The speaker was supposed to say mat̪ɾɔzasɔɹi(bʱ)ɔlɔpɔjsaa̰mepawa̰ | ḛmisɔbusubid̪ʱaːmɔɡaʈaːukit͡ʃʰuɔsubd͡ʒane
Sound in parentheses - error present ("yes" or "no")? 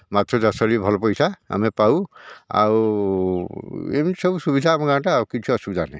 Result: no